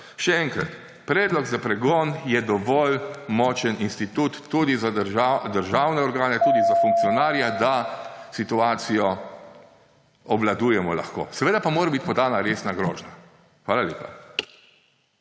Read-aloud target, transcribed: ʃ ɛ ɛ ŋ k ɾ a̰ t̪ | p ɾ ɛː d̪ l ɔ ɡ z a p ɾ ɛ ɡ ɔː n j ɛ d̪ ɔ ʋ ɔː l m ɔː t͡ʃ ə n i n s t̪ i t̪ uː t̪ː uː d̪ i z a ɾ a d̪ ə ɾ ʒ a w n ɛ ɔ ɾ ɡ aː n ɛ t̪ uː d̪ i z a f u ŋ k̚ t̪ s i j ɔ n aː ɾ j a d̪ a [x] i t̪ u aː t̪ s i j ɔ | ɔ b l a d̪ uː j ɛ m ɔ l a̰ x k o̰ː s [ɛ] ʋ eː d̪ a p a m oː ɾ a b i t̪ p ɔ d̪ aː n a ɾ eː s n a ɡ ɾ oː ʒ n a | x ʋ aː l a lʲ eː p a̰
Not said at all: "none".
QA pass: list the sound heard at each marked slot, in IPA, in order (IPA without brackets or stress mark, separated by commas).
s, ɛ